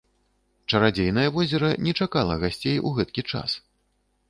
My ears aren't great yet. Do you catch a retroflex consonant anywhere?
yes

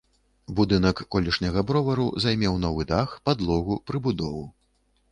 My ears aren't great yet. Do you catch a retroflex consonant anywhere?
yes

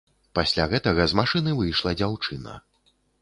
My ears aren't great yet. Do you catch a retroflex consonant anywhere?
yes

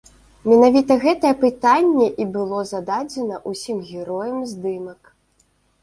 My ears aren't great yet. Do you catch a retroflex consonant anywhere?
no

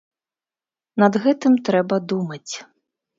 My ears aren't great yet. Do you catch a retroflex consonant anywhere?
no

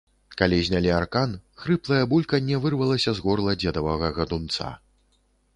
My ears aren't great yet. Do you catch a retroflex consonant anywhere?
no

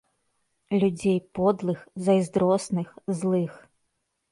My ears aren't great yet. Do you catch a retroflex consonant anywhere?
no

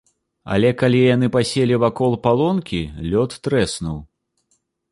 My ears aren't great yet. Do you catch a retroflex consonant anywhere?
no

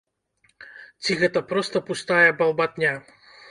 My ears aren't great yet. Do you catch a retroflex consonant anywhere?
no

